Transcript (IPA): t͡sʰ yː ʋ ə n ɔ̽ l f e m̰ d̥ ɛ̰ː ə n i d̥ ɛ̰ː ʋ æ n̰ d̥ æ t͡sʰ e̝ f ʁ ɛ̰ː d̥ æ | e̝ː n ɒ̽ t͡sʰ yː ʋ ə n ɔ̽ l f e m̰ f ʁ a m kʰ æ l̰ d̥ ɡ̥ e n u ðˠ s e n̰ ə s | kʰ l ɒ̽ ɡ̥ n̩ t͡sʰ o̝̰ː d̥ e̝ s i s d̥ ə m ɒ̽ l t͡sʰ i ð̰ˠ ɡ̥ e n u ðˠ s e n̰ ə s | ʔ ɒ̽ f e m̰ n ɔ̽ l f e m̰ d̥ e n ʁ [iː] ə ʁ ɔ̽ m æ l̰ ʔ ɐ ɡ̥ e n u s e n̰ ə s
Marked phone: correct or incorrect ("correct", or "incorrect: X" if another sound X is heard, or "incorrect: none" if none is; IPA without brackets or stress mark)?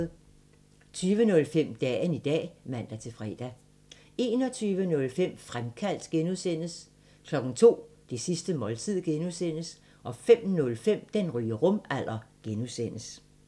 incorrect: yː